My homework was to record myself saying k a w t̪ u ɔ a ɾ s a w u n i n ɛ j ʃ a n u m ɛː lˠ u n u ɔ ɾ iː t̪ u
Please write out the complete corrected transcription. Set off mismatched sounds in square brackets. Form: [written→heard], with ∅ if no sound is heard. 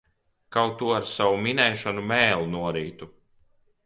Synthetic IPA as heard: k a w t̪ u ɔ a ɾ s a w u [n→m] i n ɛ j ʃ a n u m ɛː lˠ u n u ɔ ɾ iː t̪ u